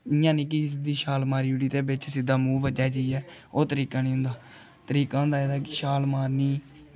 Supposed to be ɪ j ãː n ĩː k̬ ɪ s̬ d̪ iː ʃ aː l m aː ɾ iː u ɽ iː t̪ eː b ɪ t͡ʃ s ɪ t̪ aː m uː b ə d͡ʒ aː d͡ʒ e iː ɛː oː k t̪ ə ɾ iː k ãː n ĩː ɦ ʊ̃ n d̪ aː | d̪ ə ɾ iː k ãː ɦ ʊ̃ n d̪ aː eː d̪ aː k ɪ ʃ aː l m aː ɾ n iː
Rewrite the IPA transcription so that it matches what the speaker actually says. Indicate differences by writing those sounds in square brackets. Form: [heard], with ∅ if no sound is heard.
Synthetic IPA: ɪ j ãː n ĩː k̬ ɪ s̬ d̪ iː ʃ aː l m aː ɾ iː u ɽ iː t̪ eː b ɪ t͡ʃ s ɪ [d̪] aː m uː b ə d͡ʒ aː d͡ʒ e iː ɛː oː [∅] t̪ ə ɾ iː k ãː n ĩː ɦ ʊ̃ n d̪ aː | [t̪] ə ɾ iː k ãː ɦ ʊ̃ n d̪ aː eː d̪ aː k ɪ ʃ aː l m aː ɾ n iː